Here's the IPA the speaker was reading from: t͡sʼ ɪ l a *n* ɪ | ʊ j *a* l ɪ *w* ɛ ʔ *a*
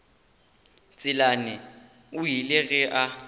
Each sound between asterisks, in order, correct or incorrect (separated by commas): correct, incorrect, incorrect, correct